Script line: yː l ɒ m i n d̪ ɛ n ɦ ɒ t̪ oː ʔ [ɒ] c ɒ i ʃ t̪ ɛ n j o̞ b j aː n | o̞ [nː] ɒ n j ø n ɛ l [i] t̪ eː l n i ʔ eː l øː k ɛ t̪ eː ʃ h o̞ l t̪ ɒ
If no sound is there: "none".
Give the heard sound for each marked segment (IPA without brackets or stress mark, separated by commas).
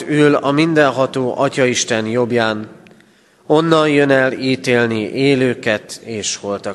ɒ, nː, iː